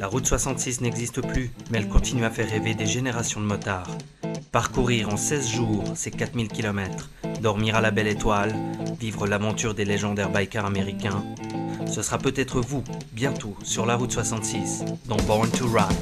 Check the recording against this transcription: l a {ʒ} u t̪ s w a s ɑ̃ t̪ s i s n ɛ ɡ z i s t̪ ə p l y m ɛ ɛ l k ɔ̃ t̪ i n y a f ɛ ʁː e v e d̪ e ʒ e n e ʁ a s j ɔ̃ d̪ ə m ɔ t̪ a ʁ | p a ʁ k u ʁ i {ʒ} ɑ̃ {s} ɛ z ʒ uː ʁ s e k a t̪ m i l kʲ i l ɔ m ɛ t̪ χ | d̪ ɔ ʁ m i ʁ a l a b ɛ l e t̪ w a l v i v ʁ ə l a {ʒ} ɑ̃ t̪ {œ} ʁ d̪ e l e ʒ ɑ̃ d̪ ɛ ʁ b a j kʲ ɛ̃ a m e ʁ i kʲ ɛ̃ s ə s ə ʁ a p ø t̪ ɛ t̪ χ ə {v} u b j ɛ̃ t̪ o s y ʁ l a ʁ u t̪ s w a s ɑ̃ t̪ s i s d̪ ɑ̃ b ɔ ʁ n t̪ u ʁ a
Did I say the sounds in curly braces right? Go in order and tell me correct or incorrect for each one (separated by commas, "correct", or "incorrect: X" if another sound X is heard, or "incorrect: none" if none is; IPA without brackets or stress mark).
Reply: incorrect: ʁ, incorrect: ʁ, correct, incorrect: v, incorrect: y, correct